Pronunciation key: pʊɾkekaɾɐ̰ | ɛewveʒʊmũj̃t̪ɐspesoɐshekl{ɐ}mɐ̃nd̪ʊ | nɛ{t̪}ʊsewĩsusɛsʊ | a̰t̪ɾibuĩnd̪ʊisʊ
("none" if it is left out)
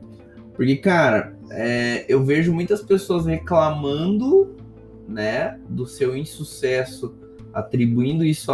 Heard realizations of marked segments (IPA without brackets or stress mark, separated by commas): a, d̪